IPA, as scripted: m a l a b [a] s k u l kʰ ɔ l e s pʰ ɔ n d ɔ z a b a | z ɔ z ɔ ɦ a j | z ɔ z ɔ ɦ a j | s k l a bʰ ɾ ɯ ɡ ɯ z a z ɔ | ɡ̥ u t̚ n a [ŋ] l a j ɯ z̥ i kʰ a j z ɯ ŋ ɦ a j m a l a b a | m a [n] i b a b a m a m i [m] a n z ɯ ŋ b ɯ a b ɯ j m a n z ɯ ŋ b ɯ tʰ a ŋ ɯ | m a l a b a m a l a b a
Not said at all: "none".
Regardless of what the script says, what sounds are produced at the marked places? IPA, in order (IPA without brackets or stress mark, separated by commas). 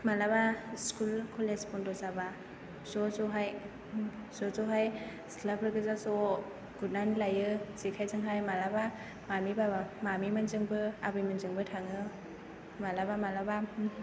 a, n, m, m